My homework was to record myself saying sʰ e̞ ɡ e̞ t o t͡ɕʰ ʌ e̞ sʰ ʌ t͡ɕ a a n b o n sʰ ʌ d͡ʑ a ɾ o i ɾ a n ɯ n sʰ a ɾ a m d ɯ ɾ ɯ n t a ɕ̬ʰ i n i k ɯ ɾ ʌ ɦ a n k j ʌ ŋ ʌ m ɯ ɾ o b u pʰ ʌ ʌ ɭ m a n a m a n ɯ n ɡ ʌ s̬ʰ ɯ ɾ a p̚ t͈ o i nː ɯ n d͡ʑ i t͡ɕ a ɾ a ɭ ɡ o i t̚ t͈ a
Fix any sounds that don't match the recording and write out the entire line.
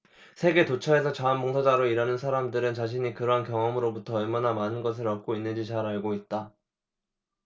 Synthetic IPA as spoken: sʰ e̞ ɡ e̞ t o t͡ɕʰ ʌ e̞ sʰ ʌ t͡ɕ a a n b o ŋ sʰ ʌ d͡ʑ a ɾ o i ɾ a n ɯ n sʰ a ɾ a m d ɯ ɾ ɯ n t͡ɕ a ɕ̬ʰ i ɲ i k ɯ ɾ ʌ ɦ a n k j ʌ ŋ ʌ m ɯ ɾ o b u tʰ ʌ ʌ ɭ m a n a m a n ɯ n ɡ ʌ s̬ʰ ɯ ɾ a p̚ k͈ o i nː ɯ n d͡ʑ i t͡ɕ a ɾ a ɭ ɡ o i t̚ t͈ a